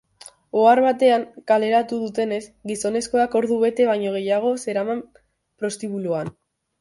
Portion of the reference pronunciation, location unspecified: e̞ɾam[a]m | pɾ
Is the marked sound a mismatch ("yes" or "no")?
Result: no